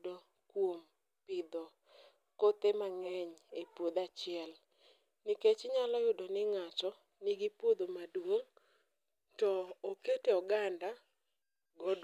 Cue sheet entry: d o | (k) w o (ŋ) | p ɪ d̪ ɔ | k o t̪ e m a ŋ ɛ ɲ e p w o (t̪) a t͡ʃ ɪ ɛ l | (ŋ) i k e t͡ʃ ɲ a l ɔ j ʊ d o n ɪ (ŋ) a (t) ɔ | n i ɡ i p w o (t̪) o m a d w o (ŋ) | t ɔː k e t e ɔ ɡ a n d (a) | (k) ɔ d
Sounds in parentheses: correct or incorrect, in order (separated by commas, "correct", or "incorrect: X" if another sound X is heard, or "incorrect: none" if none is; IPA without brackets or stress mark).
correct, incorrect: m, incorrect: d̪, incorrect: n, correct, incorrect: t͡ʃ, incorrect: d̪, correct, correct, incorrect: ɡ